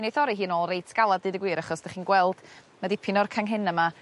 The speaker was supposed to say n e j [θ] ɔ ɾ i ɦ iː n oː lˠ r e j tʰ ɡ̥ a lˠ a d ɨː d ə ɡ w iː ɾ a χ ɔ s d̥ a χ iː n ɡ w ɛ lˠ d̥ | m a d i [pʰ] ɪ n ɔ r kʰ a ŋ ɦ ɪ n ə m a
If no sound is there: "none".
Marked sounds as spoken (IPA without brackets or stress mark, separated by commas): θ, pʰ